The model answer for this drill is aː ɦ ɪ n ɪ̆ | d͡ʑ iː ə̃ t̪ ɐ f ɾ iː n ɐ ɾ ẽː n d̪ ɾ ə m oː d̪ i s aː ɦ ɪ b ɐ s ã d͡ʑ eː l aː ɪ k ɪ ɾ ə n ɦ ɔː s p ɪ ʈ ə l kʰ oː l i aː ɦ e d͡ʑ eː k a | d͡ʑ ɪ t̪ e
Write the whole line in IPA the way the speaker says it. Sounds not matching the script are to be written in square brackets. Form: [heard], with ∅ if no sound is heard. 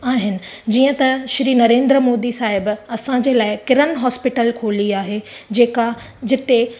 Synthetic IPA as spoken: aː ɦ ɪ n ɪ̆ | d͡ʑ iː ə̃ t̪ ɐ [ʃ] ɾ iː n ɐ ɾ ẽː n d̪ ɾ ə m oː d̪ i s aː ɦ ɪ b ɐ s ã d͡ʑ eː l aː ɪ k ɪ ɾ ə n ɦ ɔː s p ɪ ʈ ə l kʰ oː l i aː ɦ e d͡ʑ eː k a | d͡ʑ ɪ t̪ e

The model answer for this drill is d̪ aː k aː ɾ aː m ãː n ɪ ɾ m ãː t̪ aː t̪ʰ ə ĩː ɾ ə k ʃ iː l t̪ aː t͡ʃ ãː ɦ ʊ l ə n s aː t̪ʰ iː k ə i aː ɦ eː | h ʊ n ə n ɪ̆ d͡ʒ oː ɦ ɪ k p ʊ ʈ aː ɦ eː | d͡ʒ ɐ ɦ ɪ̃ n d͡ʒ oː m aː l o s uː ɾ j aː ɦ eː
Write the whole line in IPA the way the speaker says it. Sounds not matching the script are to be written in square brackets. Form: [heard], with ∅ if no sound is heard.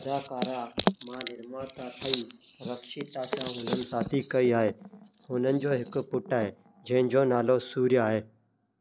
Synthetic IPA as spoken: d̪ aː k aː ɾ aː m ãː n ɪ ɾ m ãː t̪ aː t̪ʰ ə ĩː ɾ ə k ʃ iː [∅] t̪ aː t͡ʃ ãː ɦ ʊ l ə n s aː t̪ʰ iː k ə i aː ɦ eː | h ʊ n ə n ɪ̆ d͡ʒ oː ɦ ɪ k p ʊ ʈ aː ɦ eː | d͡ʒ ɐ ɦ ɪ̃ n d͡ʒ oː [n] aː l o s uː ɾ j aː ɦ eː

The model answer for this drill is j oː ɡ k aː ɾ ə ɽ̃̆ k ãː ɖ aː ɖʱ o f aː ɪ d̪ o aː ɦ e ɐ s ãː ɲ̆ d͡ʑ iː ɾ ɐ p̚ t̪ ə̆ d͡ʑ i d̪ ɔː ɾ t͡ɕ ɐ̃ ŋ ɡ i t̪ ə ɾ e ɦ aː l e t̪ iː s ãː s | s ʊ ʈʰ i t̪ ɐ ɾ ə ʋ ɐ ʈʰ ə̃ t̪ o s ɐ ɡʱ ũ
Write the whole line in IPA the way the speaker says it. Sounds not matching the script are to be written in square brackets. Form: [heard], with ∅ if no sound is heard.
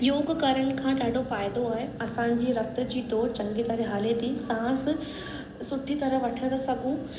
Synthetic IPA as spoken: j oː ɡ k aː ɾ ə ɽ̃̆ [kʰ] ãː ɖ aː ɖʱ o f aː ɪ d̪ o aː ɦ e ɐ s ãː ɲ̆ d͡ʑ iː ɾ ɐ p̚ t̪ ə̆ d͡ʑ [iː] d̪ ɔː ɾ t͡ɕ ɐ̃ ŋ ɡ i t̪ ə ɾ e ɦ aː l e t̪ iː s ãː s | s ʊ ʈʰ i t̪ ɐ ɾ ə ʋ ɐ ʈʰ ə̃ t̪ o s ɐ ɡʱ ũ

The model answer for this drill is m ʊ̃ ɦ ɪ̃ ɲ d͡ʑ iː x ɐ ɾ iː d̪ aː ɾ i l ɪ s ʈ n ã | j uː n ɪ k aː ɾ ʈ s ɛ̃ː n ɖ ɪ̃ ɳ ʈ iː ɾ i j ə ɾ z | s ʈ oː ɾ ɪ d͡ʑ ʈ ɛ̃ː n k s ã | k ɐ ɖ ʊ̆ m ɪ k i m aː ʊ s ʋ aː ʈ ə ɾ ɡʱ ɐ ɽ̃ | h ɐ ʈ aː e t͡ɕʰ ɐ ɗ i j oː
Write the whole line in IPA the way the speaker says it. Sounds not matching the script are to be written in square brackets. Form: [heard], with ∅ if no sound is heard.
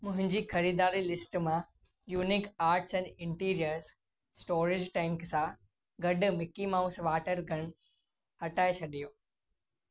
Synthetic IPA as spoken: m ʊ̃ ɦ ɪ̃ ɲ d͡ʑ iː x ɐ ɾ iː d̪ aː ɾ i l ɪ s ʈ [m] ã | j uː n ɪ k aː ɾ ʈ s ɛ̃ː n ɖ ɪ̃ ɳ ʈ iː ɾ i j ə ɾ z | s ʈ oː ɾ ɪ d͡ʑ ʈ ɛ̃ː [ŋ] k s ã | [ɡ] ɐ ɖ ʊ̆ m ɪ k i m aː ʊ s ʋ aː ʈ ə ɾ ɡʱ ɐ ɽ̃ | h ɐ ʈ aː e t͡ɕʰ ɐ ɗ i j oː

